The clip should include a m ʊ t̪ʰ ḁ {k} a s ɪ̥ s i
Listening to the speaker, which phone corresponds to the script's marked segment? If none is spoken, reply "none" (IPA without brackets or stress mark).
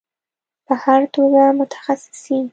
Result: x